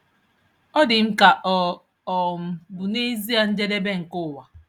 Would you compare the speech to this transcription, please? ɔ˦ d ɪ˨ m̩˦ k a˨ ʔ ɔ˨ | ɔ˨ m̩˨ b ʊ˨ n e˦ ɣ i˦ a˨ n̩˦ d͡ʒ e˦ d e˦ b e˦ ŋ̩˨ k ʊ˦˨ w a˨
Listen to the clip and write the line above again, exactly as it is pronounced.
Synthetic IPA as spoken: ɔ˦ d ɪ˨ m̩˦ k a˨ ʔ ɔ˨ | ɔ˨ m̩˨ b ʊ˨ n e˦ z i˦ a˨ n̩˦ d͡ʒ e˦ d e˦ b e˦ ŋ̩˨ k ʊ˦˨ w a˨